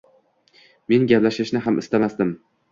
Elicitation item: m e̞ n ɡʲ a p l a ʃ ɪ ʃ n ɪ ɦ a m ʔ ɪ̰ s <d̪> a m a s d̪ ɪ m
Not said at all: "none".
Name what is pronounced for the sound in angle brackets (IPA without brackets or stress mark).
t̪